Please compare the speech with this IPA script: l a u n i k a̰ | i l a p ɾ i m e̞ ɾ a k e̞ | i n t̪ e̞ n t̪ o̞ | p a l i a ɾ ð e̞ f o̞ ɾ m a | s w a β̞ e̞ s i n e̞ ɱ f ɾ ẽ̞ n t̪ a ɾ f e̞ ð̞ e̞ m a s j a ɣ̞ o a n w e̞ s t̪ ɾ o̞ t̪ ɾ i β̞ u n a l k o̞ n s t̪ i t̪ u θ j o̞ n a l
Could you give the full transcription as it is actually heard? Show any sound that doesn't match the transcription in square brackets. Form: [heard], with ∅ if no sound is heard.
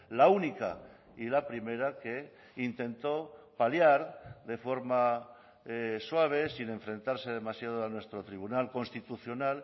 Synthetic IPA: l a u n i k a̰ | i l a p ɾ i m e̞ ɾ a k e̞ | i n t̪ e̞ n t̪ o̞ | p a l [j] a ɾ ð e̞ f o̞ ɾ m a | s w a β̞ e̞ s i n e̞ ɱ f ɾ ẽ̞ n t̪ a ɾ [s] e̞ ð̞ e̞ m a s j a [ð̞] o a n w e̞ s t̪ ɾ o̞ t̪ ɾ i β̞ u n a l k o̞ n s t̪ i t̪ u θ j o̞ n a l